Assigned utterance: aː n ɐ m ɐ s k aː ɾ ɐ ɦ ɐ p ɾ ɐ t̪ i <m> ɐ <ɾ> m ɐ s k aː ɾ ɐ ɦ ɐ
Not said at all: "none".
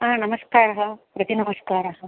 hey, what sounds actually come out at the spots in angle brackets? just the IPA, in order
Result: n, none

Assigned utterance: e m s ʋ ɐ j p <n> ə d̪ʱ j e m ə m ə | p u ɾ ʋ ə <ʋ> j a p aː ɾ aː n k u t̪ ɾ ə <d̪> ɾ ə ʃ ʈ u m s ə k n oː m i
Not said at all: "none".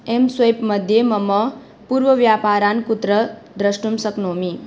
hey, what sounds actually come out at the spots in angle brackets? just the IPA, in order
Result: m, ʋ, d̪

